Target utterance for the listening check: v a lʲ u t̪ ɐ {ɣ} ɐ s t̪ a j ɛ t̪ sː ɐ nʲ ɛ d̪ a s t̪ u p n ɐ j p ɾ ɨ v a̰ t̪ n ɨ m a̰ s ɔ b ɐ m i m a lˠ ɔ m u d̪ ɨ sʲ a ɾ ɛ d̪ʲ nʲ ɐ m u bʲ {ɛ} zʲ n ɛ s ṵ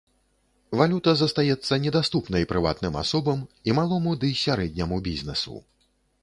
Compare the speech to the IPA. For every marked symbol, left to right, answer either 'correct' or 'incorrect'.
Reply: incorrect: z, incorrect: i

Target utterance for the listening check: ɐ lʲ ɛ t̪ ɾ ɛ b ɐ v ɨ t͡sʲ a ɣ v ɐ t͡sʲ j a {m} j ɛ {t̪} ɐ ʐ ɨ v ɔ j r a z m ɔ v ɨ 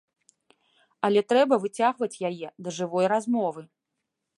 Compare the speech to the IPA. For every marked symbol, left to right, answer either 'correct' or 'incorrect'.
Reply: incorrect: none, incorrect: d̪

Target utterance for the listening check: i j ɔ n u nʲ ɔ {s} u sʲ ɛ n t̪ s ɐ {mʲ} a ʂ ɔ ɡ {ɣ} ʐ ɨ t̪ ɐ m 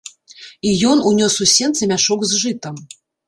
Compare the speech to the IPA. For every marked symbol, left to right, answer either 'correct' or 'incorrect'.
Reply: correct, correct, incorrect: z

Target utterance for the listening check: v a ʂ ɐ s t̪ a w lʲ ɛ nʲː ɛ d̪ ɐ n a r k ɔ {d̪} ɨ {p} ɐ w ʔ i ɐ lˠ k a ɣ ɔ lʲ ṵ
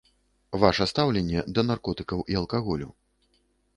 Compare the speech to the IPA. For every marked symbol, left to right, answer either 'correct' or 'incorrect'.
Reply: incorrect: t̪, incorrect: k

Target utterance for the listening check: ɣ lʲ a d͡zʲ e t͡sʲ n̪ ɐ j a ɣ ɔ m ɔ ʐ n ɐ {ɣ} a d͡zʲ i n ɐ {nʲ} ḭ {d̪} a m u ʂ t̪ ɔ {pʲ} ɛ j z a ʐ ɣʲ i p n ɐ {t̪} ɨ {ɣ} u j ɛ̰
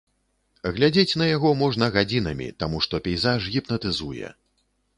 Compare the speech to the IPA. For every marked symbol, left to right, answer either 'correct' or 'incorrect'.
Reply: correct, incorrect: mʲ, incorrect: t̪, correct, correct, incorrect: z

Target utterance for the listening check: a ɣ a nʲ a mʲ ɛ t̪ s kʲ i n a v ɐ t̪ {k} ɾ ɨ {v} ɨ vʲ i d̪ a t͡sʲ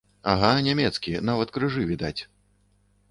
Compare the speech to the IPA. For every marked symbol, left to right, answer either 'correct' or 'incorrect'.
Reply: correct, incorrect: ʐ

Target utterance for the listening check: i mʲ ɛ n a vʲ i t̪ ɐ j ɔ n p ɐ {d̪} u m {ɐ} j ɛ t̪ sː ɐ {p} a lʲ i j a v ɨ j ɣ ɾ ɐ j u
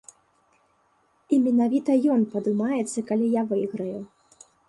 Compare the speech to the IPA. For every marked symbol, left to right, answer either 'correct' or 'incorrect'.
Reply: correct, incorrect: a, incorrect: k

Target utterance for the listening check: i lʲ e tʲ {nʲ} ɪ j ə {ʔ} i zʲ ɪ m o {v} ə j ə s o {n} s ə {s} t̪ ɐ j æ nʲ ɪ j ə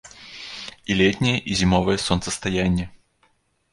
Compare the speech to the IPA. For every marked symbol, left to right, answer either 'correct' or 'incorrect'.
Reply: correct, correct, correct, correct, correct

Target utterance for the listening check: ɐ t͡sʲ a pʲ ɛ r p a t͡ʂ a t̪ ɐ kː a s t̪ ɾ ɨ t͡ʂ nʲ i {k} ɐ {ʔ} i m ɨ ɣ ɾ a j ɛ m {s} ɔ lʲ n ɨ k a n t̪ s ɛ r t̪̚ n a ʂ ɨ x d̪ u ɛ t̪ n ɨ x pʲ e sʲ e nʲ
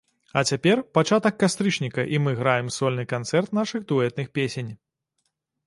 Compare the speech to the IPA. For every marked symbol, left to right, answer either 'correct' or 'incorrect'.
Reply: correct, correct, correct

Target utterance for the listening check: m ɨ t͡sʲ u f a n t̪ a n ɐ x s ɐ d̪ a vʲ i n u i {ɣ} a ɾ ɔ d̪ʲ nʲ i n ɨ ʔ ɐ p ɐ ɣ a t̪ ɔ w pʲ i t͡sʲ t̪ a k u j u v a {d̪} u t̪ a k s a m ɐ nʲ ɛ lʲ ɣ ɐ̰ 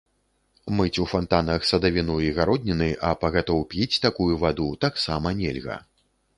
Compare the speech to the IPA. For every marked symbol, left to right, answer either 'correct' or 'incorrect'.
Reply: correct, correct

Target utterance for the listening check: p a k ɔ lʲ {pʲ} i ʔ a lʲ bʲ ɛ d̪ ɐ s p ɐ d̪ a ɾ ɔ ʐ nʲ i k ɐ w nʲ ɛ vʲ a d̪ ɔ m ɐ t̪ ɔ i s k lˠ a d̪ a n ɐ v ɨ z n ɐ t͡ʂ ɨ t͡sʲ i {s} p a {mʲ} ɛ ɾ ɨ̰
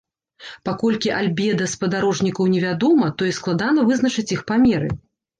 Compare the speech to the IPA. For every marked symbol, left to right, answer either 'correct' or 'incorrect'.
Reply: incorrect: kʲ, incorrect: x, correct

